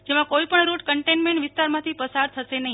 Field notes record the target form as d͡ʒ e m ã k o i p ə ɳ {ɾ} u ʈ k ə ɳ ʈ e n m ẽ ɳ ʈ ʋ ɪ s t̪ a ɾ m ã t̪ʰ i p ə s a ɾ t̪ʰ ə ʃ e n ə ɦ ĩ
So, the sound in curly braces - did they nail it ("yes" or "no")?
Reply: yes